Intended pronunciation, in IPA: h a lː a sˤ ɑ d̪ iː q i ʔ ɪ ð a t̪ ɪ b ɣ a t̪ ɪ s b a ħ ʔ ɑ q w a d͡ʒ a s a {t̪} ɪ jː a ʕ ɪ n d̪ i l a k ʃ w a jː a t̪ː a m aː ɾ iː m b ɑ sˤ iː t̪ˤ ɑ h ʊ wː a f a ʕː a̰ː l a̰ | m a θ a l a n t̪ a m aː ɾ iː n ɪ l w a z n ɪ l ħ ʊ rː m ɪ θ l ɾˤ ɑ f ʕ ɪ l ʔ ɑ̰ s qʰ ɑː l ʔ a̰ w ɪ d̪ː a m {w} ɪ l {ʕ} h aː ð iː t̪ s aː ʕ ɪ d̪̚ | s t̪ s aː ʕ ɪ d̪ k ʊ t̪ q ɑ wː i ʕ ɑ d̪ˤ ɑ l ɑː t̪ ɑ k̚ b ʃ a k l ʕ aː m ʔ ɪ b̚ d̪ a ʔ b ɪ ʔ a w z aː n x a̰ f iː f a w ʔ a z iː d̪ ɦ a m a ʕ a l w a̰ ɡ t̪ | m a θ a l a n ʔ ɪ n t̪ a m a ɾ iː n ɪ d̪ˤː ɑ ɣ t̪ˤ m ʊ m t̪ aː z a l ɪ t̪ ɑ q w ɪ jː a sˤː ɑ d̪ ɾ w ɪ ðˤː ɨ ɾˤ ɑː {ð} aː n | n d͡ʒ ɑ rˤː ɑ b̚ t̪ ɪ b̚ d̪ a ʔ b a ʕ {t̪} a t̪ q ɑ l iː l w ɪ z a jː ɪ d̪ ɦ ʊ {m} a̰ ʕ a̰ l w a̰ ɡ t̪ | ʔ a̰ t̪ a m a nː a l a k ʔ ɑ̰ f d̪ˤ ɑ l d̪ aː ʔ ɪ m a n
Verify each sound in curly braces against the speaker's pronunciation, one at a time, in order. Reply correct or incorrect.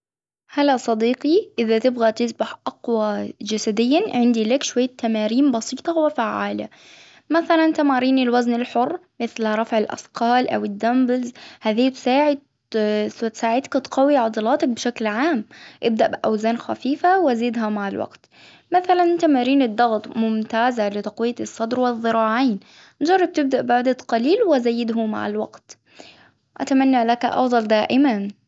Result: incorrect: d̪, incorrect: b, incorrect: z, incorrect: ʕ, incorrect: d̪, correct

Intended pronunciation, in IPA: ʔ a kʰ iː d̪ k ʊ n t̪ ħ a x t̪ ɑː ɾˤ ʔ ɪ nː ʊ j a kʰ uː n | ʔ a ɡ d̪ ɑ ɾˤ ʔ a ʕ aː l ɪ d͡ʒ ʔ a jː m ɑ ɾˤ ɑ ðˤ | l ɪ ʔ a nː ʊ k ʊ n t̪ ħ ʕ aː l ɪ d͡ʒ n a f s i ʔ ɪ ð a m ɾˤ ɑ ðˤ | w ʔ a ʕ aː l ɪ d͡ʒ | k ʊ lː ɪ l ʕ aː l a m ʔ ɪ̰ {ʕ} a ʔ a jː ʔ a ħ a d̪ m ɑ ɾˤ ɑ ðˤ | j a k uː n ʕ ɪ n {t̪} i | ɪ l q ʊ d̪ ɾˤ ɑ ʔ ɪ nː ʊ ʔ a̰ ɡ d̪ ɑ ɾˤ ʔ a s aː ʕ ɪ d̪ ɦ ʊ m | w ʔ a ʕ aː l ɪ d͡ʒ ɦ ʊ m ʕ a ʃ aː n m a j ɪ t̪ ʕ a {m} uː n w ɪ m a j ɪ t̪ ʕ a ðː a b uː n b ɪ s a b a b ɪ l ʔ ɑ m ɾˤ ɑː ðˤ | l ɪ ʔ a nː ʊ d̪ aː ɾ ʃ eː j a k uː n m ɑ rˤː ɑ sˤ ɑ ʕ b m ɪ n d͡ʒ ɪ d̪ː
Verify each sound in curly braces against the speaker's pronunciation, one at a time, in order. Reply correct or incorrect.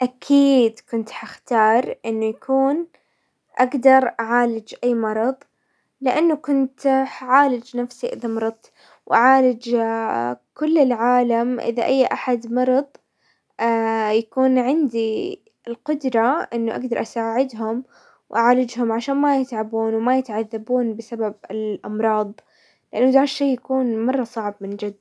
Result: incorrect: ð, incorrect: d̪, incorrect: b

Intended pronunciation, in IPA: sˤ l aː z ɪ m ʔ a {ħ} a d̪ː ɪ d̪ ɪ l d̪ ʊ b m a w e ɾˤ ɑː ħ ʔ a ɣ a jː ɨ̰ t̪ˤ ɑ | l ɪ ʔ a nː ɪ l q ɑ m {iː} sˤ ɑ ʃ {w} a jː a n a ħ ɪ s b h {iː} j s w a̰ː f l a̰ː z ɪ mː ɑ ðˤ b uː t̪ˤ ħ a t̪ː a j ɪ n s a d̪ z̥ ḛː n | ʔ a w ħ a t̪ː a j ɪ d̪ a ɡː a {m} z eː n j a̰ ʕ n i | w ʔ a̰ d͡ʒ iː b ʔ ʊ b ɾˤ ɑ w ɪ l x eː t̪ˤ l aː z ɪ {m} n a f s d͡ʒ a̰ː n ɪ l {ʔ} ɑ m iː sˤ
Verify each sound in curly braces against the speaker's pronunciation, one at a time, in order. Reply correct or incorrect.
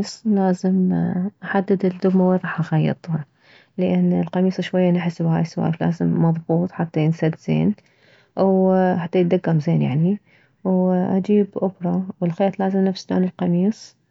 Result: correct, correct, correct, incorrect: aː, correct, correct, incorrect: q

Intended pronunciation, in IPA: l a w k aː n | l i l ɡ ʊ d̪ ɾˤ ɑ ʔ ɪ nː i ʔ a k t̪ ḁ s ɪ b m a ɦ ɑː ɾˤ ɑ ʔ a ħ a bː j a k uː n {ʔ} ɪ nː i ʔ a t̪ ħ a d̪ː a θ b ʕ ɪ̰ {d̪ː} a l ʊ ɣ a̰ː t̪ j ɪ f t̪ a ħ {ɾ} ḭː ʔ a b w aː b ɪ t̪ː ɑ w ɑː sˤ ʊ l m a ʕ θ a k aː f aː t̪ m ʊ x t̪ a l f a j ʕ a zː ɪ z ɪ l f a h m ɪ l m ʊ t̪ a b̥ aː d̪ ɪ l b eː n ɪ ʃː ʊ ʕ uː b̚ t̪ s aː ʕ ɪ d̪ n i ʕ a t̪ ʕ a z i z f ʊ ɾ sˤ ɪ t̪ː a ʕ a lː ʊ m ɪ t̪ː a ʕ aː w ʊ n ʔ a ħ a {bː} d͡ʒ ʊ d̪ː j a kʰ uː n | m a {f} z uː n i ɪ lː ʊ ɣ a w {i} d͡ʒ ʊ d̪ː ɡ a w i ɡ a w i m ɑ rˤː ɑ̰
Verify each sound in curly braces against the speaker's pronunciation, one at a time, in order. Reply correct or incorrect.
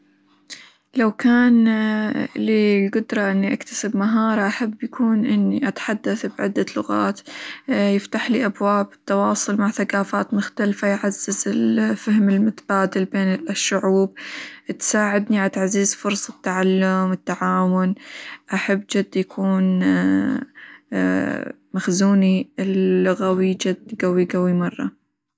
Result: correct, correct, incorrect: l, correct, incorrect: x, correct

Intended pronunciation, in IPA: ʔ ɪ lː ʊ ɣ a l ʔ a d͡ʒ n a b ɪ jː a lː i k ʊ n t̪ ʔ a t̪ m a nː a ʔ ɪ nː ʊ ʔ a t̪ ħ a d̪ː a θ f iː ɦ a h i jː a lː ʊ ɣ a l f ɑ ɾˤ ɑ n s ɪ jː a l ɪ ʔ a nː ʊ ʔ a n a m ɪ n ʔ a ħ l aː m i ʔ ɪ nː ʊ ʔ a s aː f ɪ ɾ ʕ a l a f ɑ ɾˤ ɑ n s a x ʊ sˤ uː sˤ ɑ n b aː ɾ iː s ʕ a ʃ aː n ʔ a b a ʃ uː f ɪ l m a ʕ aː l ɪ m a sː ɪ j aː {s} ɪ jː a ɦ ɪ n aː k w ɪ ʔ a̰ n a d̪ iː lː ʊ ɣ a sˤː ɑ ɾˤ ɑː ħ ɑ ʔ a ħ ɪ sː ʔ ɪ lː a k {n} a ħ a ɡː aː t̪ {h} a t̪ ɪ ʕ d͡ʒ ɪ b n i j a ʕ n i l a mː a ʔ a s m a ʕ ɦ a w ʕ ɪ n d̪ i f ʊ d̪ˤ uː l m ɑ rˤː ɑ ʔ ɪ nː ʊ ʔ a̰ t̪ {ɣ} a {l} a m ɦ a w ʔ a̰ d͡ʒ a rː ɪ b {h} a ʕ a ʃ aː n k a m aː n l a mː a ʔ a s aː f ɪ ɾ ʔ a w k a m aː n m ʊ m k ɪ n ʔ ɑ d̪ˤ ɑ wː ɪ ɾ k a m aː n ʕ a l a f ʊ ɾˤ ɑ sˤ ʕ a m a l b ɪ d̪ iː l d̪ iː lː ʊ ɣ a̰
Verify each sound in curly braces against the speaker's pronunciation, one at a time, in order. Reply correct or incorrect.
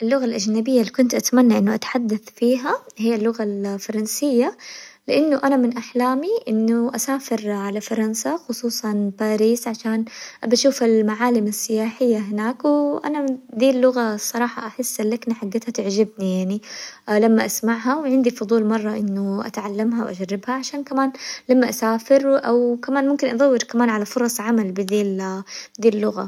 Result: incorrect: ħ, correct, correct, incorrect: ʕ, incorrect: lː, correct

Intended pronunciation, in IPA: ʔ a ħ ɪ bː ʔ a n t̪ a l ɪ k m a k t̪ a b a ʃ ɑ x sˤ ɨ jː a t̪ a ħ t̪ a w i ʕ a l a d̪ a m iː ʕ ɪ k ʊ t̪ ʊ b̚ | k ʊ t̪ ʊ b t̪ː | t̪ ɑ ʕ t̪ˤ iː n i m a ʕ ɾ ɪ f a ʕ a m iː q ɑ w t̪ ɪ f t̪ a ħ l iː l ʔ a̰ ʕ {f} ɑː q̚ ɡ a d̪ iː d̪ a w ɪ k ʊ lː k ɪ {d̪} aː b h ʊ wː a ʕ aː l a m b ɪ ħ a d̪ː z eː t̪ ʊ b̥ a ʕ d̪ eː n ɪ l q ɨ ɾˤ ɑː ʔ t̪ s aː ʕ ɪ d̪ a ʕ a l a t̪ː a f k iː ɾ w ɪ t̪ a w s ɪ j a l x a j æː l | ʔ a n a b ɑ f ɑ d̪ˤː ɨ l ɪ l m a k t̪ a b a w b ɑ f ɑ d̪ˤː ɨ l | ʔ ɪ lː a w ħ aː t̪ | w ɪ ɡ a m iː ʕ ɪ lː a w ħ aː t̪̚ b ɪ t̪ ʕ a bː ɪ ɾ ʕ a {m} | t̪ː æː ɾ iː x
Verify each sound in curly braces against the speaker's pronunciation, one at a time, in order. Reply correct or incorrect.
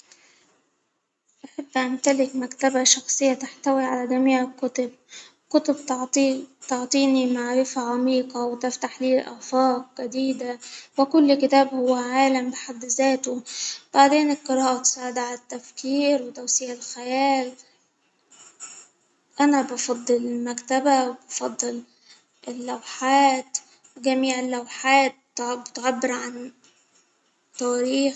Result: correct, incorrect: t̪, incorrect: n

